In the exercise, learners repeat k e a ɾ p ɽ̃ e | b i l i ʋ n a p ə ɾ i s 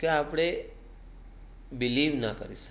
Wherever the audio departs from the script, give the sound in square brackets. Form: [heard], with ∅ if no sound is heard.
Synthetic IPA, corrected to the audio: k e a [∅] p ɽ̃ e | b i l i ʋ n a [k] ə ɾ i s